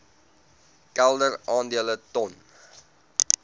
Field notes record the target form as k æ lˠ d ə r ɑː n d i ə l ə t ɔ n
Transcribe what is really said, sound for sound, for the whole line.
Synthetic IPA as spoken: k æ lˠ d ə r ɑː n d i ə l ə t ɔ n